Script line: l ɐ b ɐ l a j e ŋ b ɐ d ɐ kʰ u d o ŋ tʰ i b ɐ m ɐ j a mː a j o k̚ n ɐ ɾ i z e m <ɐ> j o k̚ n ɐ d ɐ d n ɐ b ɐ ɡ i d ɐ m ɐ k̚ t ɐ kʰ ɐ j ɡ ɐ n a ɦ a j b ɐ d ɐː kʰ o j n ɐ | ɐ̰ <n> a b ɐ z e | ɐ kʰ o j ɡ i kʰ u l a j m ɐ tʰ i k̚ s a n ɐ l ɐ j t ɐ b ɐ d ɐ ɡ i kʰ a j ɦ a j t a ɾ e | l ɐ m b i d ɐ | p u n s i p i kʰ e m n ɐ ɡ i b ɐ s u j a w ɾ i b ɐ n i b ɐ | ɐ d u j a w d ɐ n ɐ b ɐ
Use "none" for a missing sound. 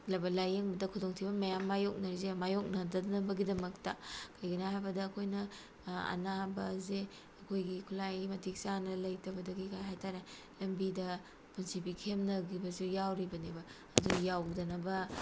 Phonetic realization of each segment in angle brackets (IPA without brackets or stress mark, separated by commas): a, n